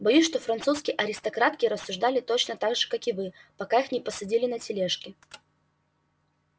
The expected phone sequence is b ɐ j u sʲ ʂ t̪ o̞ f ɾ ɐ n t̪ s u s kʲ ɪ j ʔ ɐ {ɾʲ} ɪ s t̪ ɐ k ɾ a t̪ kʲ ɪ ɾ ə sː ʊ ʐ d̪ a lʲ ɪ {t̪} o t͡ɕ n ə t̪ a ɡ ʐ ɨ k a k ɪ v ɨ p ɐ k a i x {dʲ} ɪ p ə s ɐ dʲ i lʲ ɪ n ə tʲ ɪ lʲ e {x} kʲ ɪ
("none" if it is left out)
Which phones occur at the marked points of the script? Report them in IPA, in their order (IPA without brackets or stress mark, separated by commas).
ɾʲ, t̪, nʲ, ʂ